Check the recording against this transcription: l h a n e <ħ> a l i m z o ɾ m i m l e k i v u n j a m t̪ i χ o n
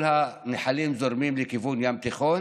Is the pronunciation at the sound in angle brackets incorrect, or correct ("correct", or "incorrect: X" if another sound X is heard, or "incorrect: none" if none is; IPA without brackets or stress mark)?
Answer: correct